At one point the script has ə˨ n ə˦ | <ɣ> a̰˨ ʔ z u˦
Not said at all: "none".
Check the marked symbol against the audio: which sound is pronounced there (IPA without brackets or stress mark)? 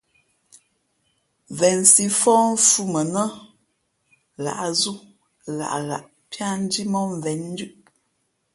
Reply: ɣ